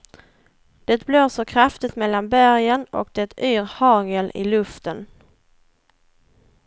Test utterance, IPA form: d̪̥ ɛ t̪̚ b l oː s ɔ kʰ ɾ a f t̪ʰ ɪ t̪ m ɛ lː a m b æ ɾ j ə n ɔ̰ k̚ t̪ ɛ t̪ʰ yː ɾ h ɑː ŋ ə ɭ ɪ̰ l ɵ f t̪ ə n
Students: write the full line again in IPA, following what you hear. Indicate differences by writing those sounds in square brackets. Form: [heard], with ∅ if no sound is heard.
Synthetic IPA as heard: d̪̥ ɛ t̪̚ b l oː s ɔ kʰ ɾ a f [t̪] ɪ t̪ m ɛ lː a [n] b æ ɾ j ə n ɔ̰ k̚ [d̪] ɛ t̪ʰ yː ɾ h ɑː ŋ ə [l] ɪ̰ l ɵ f t̪ ə n